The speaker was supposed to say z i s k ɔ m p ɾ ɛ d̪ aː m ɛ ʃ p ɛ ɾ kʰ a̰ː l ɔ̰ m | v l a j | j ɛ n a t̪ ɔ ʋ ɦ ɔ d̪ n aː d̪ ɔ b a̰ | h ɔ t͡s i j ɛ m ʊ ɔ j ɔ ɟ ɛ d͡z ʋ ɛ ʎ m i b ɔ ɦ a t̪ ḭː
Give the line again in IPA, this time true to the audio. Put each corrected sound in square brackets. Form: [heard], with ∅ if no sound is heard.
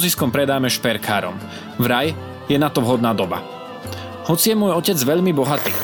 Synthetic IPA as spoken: z i s k ɔ m p ɾ ɛ d̪ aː m ɛ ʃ p ɛ ɾ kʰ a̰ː [ɾ] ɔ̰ m | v [ɾ] a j | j ɛ n a t̪ ɔ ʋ ɦ ɔ d̪ n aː d̪ ɔ b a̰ | h ɔ t͡s i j ɛ m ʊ ɔ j ɔ [c] ɛ d͡z ʋ ɛ ʎ m i b ɔ ɦ a t̪ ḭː